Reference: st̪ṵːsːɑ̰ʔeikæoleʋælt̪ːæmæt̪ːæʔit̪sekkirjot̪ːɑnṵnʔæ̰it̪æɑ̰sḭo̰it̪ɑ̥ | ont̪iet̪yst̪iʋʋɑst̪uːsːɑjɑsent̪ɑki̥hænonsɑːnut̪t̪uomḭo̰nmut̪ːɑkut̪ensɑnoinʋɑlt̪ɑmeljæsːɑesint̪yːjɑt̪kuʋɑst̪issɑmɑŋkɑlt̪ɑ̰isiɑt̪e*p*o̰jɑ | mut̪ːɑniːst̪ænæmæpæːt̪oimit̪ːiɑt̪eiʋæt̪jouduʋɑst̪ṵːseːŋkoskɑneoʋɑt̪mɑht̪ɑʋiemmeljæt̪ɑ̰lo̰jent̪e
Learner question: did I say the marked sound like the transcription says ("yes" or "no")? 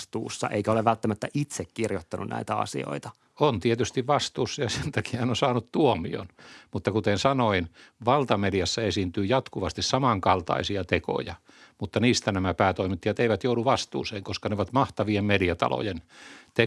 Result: no